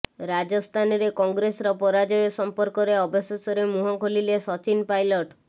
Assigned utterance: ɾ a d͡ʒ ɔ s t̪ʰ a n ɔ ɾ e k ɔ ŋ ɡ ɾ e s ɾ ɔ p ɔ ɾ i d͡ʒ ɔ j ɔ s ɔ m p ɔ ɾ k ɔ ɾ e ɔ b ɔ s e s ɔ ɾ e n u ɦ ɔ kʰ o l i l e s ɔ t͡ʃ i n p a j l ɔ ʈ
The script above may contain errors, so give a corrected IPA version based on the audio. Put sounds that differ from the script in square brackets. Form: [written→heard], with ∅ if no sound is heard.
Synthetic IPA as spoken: ɾ a d͡ʒ ɔ s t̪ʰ a n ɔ ɾ e k ɔ ŋ ɡ ɾ e s ɾ ɔ p ɔ ɾ [i→a] d͡ʒ ɔ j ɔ s ɔ m p ɔ ɾ k ɔ ɾ e ɔ b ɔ s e s ɔ ɾ e [n→m] u ɦ ɔ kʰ o l i l e s ɔ t͡ʃ i n p a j l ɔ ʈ